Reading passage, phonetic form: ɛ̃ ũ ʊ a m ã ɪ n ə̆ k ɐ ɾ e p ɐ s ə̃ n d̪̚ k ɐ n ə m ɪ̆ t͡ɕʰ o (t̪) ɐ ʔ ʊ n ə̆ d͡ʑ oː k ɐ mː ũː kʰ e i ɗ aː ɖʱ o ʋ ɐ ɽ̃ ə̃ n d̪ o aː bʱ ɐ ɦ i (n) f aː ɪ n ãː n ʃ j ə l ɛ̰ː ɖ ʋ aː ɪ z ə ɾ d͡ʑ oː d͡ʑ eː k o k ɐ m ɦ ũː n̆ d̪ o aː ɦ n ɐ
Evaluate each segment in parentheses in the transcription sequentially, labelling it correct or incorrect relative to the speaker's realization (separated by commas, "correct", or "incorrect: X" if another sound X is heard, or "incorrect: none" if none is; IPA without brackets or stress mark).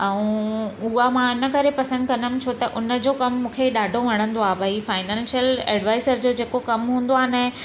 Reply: correct, incorrect: none